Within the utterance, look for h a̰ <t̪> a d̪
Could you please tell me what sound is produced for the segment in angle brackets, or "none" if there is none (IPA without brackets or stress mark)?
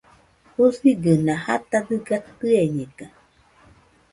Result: t̪